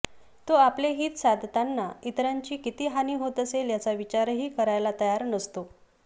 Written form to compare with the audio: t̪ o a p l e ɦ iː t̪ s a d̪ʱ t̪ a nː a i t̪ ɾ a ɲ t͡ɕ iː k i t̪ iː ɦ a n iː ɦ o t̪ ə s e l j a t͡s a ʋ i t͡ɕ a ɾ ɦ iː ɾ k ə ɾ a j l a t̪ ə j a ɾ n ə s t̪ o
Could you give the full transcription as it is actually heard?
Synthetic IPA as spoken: t̪ o a p l e ɦ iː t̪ s a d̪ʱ t̪ a nː a i t̪ ɾ a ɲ t͡ɕ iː k i t̪ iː ɦ a n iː ɦ o t̪ ə s e l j a t͡s a ʋ i t͡ɕ a ɾ ɦ iː k ə ɾ a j l a t̪ ə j a ɾ n ə s t̪ o